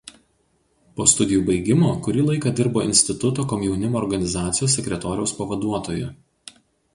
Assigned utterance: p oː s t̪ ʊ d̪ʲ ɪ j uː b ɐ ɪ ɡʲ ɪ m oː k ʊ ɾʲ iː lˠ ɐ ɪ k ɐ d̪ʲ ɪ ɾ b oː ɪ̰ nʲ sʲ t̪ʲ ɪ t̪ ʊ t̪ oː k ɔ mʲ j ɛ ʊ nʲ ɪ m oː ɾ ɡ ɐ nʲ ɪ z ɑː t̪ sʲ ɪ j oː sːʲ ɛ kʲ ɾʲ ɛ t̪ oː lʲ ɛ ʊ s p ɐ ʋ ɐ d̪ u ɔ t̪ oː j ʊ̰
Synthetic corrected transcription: p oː s t̪ ʊ d̪ʲ ɪ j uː b ɐ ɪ ɡʲ ɪ m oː k ʊ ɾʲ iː lˠ ɐ ɪ k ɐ d̪ʲ ɪ ɾ b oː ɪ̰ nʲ sʲ t̪ʲ ɪ t̪ ʊ t̪ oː k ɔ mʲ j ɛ ʊ nʲ ɪ m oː ɾ ɡ ɐ nʲ ɪ z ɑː t̪ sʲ ɪ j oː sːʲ ɛ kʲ ɾʲ ɛ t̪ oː ɾʲ ɛ ʊ s p ɐ ʋ ɐ d̪ u ɔ t̪ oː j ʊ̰